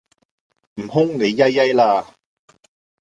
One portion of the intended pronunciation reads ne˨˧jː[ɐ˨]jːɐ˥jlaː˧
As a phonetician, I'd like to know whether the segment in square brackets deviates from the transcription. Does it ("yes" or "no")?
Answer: yes